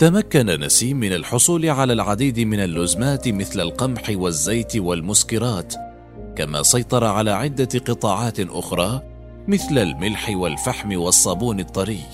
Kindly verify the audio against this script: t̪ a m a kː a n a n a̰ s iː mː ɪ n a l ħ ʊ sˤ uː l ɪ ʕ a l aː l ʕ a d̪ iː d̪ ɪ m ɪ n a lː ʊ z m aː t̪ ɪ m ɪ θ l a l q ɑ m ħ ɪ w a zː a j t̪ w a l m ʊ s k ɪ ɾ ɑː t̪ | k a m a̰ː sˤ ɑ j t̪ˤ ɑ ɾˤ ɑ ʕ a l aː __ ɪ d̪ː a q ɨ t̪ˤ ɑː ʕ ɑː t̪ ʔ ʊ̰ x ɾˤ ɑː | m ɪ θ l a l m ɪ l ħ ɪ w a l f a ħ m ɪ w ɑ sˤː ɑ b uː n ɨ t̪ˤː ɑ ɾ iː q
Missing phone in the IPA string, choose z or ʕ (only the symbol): ʕ